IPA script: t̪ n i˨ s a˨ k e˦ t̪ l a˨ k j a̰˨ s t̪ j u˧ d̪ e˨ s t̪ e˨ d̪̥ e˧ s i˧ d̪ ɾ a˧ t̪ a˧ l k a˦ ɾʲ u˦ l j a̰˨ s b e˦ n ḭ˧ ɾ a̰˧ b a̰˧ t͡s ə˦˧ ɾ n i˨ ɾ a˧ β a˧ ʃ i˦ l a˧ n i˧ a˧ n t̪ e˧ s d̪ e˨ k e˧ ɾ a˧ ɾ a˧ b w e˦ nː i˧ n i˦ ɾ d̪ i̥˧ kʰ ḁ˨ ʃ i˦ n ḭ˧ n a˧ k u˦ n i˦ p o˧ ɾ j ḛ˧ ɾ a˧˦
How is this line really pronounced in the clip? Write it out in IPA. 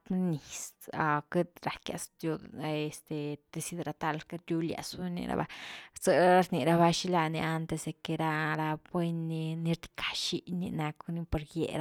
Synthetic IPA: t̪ n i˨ s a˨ k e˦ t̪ ɾ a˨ k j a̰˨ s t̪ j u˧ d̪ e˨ s t̪ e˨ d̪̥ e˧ s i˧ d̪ ɾ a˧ t̪ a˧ l k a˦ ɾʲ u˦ l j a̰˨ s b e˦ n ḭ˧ ɾ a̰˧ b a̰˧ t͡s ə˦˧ ɾ n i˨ ɾ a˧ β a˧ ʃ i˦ l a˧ n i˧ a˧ n t̪ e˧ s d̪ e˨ k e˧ ɾ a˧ ɾ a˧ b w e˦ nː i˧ n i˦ ɾ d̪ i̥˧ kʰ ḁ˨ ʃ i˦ n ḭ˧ n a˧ k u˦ n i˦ p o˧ ɾ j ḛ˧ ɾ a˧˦